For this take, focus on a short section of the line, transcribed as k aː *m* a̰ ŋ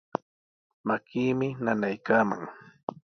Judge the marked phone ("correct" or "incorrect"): correct